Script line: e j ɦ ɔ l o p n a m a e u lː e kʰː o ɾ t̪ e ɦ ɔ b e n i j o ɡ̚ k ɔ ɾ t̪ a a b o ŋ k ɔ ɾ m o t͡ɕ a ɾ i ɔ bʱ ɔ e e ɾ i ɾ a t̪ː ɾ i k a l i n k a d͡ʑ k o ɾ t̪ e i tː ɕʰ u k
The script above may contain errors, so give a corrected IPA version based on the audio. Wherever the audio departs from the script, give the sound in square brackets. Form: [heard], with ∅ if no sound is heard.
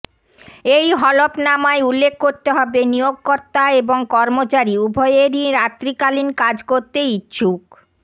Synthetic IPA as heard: e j ɦ ɔ l o p n a m a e u lː e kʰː o ɾ t̪ e ɦ ɔ b e n i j o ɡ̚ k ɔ ɾ t̪ a [e] b o ŋ k ɔ ɾ m o t͡ɕ a ɾ i [u] bʱ ɔ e e ɾ i ɾ a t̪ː ɾ i k a l i n k a d͡ʑ k o ɾ t̪ e i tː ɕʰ u k